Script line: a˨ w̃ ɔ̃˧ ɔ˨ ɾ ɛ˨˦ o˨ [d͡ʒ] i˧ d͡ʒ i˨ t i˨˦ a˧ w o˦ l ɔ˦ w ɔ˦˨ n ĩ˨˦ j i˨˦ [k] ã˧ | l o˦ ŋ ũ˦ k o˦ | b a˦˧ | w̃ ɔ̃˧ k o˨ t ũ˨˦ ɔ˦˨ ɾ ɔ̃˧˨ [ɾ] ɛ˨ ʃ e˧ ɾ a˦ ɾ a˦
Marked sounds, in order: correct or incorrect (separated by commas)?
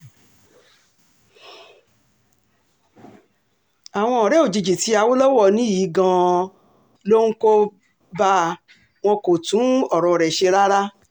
correct, incorrect, correct